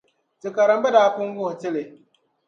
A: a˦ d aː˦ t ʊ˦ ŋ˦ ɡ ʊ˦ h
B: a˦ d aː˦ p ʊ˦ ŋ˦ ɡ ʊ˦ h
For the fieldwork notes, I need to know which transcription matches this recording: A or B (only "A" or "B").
B